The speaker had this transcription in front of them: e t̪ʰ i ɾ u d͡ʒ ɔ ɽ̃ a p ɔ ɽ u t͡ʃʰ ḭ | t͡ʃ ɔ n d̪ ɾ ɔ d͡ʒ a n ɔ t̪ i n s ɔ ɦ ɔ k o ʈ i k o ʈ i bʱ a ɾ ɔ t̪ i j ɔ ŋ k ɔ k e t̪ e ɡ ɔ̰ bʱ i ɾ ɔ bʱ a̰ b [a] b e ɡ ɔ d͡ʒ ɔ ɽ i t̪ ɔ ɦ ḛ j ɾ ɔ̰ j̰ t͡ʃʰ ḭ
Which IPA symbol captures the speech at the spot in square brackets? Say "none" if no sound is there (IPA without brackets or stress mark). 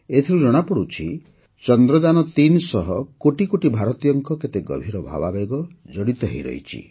a